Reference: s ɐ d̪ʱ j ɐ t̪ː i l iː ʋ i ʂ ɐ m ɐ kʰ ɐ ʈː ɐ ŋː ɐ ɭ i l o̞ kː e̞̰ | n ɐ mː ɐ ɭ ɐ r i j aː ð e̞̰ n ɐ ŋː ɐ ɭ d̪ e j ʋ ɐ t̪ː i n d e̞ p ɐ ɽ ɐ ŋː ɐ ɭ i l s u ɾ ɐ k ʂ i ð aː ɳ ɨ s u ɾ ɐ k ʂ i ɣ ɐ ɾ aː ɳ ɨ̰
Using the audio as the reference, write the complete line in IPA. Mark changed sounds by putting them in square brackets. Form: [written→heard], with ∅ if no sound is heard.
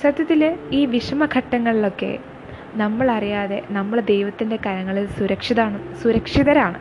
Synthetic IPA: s ɐ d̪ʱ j ɐ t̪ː i l iː ʋ i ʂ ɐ m ɐ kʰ ɐ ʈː ɐ ŋː ɐ ɭ i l o̞ kː e̞̰ | n ɐ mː ɐ ɭ ɐ r i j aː ð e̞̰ n ɐ [ŋː→mː] ɐ ɭ d̪ e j ʋ ɐ t̪ː i n d e̞ [p→k] ɐ [ɽ→ɾ] ɐ ŋː ɐ ɭ i l s u ɾ ɐ k ʂ i ð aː ɳ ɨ s u ɾ ɐ k ʂ i [ɣ→ð] ɐ ɾ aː ɳ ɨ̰